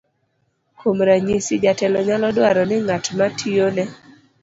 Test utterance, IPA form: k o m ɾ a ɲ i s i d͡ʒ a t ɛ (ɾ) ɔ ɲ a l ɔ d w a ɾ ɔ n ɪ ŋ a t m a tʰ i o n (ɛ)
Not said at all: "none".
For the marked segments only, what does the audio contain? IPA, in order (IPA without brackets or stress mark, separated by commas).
l, ɛ